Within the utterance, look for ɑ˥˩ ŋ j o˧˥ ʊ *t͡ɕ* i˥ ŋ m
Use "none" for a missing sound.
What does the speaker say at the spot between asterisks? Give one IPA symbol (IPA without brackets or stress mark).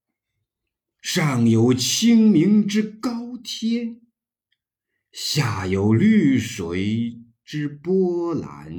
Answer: t͡ɕʰ